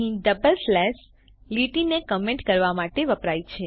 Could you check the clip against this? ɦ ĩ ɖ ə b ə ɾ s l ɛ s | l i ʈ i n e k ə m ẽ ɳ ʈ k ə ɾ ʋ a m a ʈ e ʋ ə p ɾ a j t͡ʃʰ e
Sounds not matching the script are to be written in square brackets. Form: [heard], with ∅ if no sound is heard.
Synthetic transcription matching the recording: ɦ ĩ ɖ ə b ə [l] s l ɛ s | l i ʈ i n e k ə m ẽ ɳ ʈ k ə ɾ ʋ a m a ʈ e ʋ ə p ɾ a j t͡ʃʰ e